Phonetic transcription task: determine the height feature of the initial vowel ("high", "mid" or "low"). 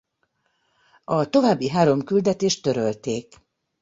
low